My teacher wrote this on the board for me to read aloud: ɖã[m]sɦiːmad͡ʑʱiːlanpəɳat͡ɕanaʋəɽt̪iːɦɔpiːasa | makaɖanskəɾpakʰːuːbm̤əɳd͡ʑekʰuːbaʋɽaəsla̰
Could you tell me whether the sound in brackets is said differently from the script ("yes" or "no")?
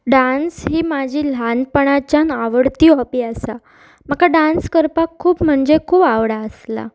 yes